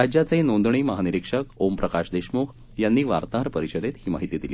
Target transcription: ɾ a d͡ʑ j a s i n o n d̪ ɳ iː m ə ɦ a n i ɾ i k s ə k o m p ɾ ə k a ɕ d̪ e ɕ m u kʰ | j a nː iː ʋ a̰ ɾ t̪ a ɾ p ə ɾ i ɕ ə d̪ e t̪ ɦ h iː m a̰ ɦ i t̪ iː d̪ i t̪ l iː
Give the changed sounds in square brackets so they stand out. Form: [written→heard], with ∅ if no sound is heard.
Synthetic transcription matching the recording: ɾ a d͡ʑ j a [s→t͡s] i n o n d̪ ɳ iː m ə ɦ a n i ɾ i k [s→ʂ] ə k o m p ɾ ə k a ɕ d̪ e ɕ m u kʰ | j a nː iː ʋ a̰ ɾ t̪ a ɾ p ə ɾ i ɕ ə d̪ e t̪ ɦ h iː m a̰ ɦ i t̪ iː d̪ i [t̪→∅] l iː